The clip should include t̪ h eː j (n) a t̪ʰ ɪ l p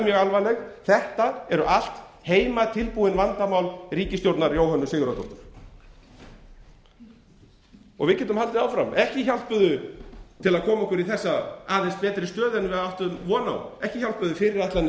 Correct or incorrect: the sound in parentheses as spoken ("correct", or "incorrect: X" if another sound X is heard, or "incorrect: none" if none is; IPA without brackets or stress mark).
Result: incorrect: m